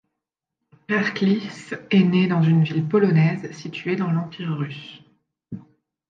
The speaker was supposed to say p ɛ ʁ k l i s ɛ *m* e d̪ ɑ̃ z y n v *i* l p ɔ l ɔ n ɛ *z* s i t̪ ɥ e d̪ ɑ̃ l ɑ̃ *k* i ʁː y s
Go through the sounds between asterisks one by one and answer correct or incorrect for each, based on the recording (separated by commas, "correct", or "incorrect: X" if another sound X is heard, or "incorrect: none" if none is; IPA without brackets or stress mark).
incorrect: n, correct, correct, incorrect: p